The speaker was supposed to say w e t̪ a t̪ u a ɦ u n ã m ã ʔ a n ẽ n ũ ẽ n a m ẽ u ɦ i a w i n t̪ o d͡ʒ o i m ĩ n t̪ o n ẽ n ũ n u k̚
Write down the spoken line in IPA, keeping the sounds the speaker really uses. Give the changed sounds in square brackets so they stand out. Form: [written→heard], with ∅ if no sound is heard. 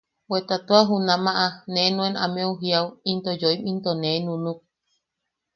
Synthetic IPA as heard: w e t̪ a t̪ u a ɦ u n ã m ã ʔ a n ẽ n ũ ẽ n a m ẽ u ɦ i a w i n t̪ o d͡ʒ o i m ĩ n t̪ o n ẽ n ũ n u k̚